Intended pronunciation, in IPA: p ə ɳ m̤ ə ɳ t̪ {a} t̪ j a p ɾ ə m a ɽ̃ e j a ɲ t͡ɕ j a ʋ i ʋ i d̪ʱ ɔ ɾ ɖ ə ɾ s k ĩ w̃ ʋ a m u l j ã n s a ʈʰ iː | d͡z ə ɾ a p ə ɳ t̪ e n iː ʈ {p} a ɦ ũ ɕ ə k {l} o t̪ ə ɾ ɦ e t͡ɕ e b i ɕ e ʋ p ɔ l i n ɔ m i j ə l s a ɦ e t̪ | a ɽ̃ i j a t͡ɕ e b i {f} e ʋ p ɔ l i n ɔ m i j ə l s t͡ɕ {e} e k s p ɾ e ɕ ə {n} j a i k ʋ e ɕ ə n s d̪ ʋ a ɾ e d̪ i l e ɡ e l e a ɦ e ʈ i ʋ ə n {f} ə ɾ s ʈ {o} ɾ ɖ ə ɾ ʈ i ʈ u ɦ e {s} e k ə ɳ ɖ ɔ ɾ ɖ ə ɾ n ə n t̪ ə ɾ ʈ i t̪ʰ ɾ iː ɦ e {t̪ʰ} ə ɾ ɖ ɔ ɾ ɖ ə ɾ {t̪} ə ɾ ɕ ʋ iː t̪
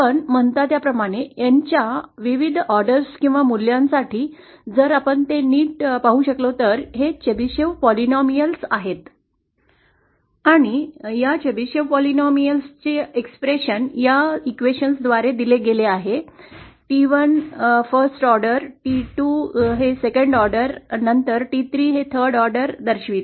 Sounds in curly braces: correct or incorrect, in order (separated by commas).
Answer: correct, correct, correct, incorrect, correct, correct, correct, incorrect, correct, correct, incorrect